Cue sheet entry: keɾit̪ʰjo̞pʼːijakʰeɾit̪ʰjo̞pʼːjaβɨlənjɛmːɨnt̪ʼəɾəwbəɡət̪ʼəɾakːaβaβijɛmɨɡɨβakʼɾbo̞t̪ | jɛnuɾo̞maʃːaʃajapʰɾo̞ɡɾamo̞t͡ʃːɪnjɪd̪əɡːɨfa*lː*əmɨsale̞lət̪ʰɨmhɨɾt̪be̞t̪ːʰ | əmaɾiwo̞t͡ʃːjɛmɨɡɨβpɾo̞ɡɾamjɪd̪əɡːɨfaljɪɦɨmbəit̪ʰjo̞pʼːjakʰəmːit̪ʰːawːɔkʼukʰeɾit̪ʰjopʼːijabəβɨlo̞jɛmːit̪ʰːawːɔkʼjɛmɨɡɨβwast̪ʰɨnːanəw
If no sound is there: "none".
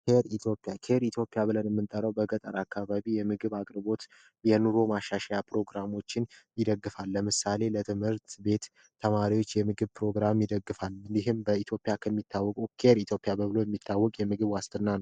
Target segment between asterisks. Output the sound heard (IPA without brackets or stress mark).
lː